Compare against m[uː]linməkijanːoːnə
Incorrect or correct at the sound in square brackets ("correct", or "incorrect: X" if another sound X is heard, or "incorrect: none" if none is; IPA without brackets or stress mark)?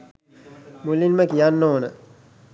incorrect: u